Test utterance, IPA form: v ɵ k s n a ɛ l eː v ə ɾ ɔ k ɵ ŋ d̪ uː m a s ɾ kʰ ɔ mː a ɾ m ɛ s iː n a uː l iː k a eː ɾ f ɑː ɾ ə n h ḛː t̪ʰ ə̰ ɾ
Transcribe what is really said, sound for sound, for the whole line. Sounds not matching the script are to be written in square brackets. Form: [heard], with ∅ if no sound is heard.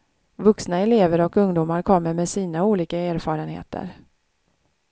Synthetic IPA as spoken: v ɵ k s n a ɛ l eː v ə ɾ ɔ k ɵ ŋ d̪ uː m a [∅] ɾ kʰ ɔ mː [ə] ɾ m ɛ s iː n a uː l iː k a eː ɾ f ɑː ɾ ə n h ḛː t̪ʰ ə̰ ɾ

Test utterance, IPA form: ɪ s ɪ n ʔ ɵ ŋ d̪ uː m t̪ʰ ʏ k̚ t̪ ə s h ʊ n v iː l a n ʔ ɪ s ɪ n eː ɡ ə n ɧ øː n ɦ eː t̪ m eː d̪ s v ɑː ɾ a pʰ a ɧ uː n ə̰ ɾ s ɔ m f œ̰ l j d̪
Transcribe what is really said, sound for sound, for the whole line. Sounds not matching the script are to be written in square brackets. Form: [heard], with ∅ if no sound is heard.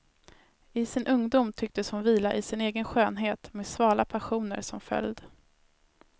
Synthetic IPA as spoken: ɪ s ɪ n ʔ ɵ ŋ d̪ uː m t̪ʰ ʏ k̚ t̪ ə s h ʊ n v iː l a [∅] ʔ ɪ s ɪ n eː ɡ ə n ɧ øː n ɦ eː t̪ m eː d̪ s v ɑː [l] a pʰ a ɧ uː n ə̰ ɾ s ɔ m f œ̰ l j d̪

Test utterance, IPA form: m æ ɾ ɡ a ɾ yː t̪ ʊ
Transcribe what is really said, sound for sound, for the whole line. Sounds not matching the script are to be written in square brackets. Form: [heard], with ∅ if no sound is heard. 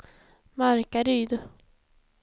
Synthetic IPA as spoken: m [a] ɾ [k] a ɾ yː [d̪] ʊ

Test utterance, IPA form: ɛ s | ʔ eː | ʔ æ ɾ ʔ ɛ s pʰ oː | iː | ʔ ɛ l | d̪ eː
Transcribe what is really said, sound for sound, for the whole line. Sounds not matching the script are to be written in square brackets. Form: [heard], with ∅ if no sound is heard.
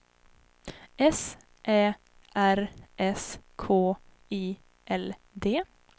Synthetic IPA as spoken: ɛ s | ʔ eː | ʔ æ ɾ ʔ ɛ s [kʰ] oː | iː | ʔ ɛ l | d̪ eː

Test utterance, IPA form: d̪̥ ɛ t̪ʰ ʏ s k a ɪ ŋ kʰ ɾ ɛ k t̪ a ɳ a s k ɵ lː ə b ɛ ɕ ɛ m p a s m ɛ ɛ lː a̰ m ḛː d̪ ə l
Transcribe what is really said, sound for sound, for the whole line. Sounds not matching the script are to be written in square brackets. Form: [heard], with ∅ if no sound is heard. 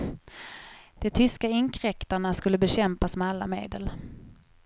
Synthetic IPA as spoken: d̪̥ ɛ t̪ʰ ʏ s k a ɪ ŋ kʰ ɾ ɛ k t̪ a ɳ a s k ɵ lː ə b ɛ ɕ ɛ m p a s m ɛ [a] lː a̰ m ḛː d̪ ə l

